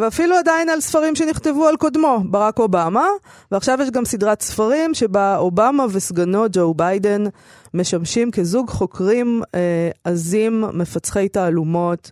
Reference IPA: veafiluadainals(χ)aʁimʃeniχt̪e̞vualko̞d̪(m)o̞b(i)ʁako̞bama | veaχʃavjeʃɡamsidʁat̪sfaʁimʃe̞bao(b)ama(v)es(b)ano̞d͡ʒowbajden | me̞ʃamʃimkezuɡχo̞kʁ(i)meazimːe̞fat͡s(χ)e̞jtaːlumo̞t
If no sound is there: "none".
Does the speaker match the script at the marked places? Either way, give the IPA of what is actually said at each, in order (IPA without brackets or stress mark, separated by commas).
f, m, a, b, v, ɡ, i, χ